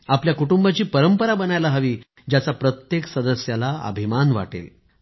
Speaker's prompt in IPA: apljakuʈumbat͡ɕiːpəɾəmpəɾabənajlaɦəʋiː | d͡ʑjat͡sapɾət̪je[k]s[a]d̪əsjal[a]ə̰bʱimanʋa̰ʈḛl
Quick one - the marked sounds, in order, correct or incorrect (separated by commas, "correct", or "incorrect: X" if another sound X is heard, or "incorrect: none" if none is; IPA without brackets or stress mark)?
correct, incorrect: ə, correct